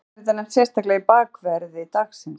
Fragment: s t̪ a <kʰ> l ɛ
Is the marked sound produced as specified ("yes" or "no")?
no